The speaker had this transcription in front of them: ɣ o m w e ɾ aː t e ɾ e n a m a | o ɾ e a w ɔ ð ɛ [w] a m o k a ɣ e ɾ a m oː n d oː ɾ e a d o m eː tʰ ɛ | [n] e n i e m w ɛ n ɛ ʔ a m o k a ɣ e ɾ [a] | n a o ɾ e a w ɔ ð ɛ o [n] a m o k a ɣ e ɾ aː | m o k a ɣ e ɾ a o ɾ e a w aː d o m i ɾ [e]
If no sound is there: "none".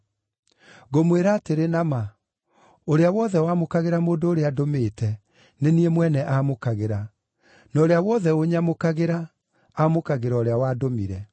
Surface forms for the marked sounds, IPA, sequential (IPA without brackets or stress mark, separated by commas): w, n, a, ɲ, ɛ